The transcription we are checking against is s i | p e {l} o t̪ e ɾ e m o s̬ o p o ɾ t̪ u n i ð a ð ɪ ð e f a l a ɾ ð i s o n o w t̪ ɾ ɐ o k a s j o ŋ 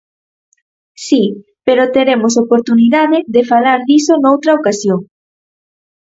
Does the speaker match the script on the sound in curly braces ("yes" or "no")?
no